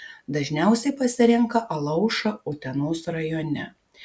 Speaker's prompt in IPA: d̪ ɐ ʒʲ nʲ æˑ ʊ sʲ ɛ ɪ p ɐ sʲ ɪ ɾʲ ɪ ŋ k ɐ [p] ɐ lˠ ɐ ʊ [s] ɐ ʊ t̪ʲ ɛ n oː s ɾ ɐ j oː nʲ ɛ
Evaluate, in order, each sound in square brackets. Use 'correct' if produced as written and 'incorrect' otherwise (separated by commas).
incorrect, incorrect